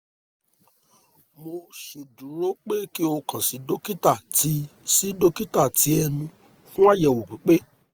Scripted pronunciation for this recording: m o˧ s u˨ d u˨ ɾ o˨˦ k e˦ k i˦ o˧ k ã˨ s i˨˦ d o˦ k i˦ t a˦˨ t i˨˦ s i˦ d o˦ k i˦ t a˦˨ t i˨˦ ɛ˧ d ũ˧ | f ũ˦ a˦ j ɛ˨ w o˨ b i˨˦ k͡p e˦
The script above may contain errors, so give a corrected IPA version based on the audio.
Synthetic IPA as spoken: m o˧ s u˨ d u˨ ɾ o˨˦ k͡p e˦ k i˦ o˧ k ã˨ s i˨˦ d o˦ k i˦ t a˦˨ t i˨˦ s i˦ d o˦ k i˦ t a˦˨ t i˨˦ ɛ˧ n ũ˧ | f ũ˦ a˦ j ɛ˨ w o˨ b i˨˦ k͡p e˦